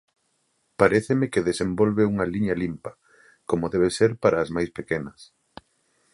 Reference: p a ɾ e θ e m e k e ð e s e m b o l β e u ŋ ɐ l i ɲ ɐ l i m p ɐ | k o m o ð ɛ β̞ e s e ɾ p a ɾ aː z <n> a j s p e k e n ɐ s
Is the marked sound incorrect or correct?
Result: incorrect